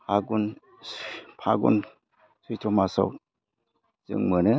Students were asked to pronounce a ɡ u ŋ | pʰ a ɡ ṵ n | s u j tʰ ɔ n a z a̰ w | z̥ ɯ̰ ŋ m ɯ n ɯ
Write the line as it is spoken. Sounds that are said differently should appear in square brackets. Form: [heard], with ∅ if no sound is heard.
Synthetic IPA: a ɡ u [n] | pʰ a ɡ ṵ n | s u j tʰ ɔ [m] a [s] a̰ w | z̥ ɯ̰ ŋ m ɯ n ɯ